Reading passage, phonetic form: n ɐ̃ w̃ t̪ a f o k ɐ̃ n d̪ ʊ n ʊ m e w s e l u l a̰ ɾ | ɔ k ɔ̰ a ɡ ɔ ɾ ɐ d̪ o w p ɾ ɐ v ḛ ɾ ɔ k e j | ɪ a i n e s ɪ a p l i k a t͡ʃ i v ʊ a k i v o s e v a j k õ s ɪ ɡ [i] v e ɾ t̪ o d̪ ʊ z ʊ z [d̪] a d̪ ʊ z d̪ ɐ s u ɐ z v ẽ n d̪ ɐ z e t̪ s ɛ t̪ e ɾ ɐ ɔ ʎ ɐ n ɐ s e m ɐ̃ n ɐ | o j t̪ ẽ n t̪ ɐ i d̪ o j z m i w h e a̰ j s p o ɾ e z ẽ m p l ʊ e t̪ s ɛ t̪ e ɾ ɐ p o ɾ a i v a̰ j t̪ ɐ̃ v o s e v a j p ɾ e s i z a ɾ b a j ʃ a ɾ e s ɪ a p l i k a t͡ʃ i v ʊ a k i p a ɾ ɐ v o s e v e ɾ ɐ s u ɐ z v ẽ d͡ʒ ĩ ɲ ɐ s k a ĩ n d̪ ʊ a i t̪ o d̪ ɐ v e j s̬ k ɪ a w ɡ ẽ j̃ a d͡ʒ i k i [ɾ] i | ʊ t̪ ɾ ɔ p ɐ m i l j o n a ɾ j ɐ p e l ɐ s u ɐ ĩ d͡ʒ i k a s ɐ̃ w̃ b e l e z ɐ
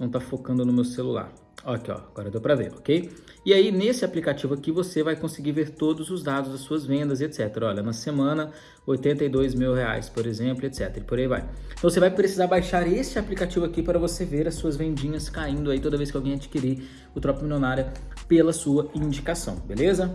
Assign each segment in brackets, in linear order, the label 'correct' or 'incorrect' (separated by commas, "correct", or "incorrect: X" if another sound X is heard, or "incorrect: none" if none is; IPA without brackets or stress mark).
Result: correct, correct, correct